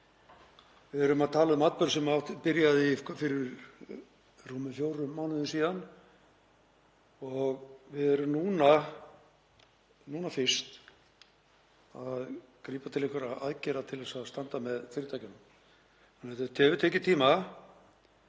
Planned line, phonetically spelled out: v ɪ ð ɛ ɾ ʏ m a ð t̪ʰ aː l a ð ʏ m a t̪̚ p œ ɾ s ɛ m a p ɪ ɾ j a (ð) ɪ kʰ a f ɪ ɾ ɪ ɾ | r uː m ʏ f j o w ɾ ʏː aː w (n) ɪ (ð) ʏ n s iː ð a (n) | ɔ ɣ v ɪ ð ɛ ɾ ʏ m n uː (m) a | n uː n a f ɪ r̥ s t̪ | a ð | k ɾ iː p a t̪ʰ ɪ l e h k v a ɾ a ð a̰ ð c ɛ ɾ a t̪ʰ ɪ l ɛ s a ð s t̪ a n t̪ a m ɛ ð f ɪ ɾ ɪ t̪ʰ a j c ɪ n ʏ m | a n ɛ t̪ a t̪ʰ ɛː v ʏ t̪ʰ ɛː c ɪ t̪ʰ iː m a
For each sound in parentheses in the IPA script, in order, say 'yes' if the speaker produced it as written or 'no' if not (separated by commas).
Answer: yes, yes, yes, yes, no